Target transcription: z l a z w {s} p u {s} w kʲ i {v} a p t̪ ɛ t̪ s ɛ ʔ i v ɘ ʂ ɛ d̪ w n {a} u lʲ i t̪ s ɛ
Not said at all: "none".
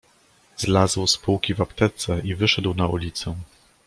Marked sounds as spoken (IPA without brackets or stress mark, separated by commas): s, none, v, a